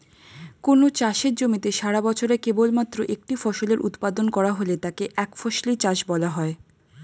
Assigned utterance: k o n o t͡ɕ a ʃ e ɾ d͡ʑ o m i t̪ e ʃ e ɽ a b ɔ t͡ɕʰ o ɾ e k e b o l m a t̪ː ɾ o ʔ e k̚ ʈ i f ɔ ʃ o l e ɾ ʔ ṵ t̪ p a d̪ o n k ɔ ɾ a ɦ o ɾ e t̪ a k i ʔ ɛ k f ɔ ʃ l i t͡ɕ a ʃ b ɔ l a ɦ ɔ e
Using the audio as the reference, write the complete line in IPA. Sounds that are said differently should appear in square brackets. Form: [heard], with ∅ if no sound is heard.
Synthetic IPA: k o n o t͡ɕ a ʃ e ɾ d͡ʑ o m i t̪ e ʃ [a] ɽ a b ɔ t͡ɕʰ o ɾ e k e b o l m a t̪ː ɾ o ʔ e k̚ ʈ i f ɔ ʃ o l e ɾ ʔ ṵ t̪ p a d̪ o n k ɔ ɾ a ɦ o [l] e t̪ a k [e] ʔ ɛ k f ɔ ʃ l i t͡ɕ a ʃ b ɔ l a ɦ ɔ e